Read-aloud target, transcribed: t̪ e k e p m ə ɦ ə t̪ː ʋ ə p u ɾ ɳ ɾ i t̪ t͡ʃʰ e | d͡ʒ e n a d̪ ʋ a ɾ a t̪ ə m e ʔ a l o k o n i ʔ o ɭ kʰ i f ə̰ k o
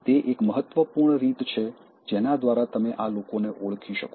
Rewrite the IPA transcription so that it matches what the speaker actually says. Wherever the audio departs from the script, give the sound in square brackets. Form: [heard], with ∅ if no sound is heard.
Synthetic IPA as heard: t̪ e [ʔ] e [k] m ə ɦ ə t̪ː ʋ ə p u ɾ ɳ ɾ i t̪ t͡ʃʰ e | d͡ʒ e n a d̪ ʋ a ɾ a t̪ ə m e ʔ a l o k o n [e] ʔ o ɭ kʰ i [ʃ] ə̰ k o